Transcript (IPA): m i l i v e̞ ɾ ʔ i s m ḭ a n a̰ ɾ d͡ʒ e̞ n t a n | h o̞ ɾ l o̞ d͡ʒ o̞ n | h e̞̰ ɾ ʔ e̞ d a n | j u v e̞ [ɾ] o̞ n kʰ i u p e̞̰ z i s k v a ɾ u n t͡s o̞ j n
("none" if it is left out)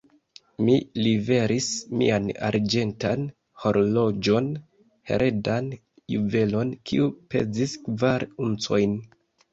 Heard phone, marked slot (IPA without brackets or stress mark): l